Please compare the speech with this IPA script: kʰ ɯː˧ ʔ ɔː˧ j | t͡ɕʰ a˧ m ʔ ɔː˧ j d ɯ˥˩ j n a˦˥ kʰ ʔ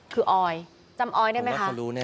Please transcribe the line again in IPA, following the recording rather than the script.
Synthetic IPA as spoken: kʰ ɯː˧ ʔ ɔː˧ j | t͡ɕ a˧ m ʔ ɔː˧ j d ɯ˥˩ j m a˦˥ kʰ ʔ